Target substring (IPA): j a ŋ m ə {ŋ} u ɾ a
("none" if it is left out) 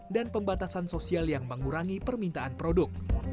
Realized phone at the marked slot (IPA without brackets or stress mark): ŋ